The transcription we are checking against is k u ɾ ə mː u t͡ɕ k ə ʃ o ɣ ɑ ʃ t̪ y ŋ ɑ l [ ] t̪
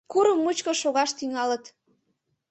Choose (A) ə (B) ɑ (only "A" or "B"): A